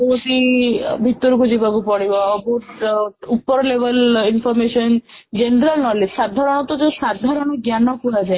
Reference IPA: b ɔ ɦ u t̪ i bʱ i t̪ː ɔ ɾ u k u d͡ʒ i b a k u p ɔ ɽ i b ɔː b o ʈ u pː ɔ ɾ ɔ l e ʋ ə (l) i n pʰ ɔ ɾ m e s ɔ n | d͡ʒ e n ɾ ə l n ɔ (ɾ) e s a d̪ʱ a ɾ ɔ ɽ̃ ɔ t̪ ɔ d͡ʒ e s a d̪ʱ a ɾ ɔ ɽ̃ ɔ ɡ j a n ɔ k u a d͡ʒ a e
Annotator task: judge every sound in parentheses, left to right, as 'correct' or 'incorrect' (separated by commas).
correct, incorrect